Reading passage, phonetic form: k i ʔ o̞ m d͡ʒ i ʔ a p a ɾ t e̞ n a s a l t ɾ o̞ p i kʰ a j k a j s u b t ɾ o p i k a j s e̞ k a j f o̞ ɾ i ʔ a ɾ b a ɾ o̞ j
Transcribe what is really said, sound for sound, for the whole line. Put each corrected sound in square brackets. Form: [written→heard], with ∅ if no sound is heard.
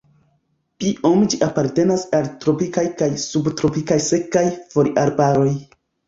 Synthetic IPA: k i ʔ o̞ m d͡ʒ i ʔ a p a ɾ t e̞ n a s a l t ɾ o̞ p i [kʰ→k] a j k a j s u b t ɾ o p i k a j s e̞ k a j f o̞ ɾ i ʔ a ɾ b a ɾ o̞ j

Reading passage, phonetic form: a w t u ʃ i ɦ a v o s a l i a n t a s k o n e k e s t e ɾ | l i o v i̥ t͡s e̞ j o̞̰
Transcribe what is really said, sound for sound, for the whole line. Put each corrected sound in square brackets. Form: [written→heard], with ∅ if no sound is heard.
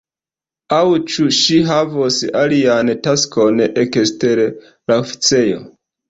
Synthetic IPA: a w [t→t͡ʃ] u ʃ i ɦ a v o s a l i a n t a s k o n e k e s t e ɾ | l [i→a] o [v→f] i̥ t͡s e̞ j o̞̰

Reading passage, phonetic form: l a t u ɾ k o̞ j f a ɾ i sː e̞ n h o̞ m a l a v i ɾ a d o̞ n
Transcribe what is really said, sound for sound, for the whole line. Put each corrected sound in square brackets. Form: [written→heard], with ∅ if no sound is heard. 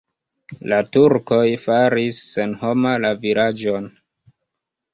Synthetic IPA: l a t u ɾ k o̞ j f a ɾ i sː e̞ n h o̞ m a l a v i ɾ a [d→d͡ʒ] o̞ n

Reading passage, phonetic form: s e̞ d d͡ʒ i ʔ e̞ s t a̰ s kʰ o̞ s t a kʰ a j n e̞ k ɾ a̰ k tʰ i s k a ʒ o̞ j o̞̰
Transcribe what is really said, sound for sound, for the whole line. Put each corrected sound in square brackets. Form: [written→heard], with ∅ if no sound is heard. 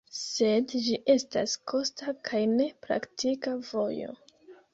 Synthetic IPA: s e̞ d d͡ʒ i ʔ e̞ s t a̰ s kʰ o̞ s t a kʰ a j n e̞ [k→p] ɾ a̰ k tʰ i [s→∅] k a [ʒ→v] o̞ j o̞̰

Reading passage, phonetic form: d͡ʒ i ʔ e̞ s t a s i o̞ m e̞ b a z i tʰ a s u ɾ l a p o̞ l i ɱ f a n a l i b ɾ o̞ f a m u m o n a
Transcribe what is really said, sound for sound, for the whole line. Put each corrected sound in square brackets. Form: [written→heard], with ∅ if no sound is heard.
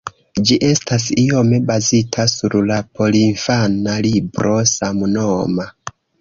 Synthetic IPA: d͡ʒ i ʔ e̞ s t a s i o̞ m e̞ b a z i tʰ a s u ɾ l a p o̞ l i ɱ f a n a l i b ɾ o̞ [f→s] a m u [m→n] o [n→m] a

